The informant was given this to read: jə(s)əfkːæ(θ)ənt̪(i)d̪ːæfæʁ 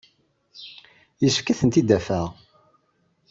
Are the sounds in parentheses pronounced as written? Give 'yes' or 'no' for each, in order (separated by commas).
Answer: yes, yes, yes